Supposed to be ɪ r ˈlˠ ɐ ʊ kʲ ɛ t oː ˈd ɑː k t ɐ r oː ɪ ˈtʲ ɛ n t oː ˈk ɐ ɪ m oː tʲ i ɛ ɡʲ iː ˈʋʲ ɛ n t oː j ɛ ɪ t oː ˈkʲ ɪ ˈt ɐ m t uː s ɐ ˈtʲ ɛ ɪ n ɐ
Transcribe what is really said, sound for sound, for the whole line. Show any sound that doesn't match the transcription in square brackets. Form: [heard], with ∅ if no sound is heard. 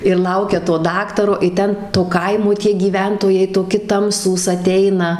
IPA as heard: ɪ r ˈlˠ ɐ ʊ kʲ ɛ t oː ˈd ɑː k t ɐ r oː ɪ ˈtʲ ɛ n t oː ˈk ɐ ɪ m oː tʲ i ɛ ɡʲ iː ˈʋʲ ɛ n t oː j ɛ ɪ t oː ˈkʲ ɪ ˈt ɐ m [s] uː s ɐ ˈtʲ ɛ ɪ n ɐ

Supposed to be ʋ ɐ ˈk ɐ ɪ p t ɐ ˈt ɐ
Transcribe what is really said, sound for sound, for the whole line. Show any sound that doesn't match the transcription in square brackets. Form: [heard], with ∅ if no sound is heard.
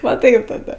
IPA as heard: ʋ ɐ [ˈt] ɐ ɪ p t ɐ [ˈd] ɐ

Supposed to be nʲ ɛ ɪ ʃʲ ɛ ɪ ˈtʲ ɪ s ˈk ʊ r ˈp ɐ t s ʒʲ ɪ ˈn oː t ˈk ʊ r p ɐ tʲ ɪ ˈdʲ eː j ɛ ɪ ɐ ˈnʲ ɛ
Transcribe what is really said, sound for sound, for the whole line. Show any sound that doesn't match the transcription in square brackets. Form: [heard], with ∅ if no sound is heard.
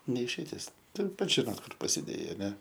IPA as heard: nʲ ɛ ɪ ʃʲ ɛ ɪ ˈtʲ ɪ s [ˈt] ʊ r ˈp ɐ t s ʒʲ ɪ ˈn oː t ˈk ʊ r p ɐ [sʲ] ɪ ˈdʲ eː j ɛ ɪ ɐ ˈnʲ ɛ

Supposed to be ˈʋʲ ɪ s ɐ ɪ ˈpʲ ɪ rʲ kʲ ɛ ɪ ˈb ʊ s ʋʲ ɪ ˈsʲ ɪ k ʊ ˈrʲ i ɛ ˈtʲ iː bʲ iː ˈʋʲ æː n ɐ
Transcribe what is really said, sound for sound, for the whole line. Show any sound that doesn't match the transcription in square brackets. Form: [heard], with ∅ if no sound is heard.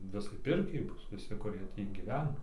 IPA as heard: ˈʋʲ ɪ s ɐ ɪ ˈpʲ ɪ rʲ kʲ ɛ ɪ ˈb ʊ s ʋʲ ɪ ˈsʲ ɪ k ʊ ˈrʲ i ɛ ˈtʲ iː [ɡʲ] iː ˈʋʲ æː n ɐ

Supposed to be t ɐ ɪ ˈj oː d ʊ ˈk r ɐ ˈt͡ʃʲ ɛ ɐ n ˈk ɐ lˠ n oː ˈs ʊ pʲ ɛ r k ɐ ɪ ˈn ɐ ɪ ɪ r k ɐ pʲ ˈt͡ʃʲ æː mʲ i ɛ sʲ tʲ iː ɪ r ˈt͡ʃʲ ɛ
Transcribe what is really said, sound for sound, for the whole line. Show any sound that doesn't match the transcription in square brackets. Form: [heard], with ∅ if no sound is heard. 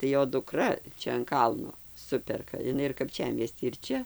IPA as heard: t ɐ ɪ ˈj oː d ʊ ˈk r ɐ ˈt͡ʃʲ ɛ ɐ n ˈk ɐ lˠ n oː ˈs ʊ pʲ ɛ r k ɐ ɪ ˈn ɐ ɪ ɪ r k ɐ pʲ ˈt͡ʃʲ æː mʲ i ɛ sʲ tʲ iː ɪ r ˈt͡ʃʲ ɛ

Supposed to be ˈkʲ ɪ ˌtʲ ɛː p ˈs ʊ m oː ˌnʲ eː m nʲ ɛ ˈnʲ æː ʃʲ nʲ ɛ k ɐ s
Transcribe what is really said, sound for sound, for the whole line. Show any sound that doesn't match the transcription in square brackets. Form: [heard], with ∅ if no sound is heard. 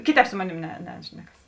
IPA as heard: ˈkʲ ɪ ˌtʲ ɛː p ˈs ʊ m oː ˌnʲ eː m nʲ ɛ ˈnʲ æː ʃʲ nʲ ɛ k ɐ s

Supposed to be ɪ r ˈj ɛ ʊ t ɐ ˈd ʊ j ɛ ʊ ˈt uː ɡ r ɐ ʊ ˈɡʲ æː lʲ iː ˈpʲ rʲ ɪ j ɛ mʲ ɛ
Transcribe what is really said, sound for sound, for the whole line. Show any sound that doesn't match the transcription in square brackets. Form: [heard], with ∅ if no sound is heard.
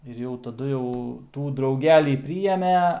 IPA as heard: ɪ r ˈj ɛ ʊ t ɐ ˈd ʊ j ɛ ʊ ˈt uː [d] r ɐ ʊ ˈɡʲ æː lʲ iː ˈpʲ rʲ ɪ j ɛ mʲ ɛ

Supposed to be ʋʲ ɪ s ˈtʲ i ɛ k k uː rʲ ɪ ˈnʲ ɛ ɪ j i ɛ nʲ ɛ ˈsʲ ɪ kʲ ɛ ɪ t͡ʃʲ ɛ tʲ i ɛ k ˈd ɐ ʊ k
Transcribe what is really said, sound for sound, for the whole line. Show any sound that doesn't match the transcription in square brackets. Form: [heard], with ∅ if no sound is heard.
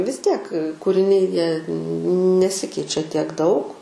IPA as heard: ʋʲ ɪ s ˈtʲ i ɛ k k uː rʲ ɪ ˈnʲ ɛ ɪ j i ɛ nʲ ɛ ˈsʲ ɪ kʲ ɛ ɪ t͡ʃʲ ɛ tʲ i ɛ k ˈd ɐ ʊ k

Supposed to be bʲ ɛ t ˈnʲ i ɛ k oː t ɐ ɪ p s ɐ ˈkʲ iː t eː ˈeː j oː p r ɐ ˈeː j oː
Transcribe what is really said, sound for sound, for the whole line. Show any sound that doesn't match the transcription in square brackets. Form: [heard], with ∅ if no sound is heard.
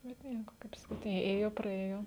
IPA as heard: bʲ ɛ t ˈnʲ i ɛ k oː [k] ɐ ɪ p s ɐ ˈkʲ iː t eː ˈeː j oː p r ɐ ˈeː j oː

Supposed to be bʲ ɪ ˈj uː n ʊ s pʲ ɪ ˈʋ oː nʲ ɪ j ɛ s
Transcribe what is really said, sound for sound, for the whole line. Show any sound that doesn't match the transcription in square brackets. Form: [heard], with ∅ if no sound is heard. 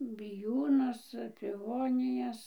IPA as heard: bʲ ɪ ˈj uː n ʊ s pʲ ɪ ˈʋ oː nʲ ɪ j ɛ s

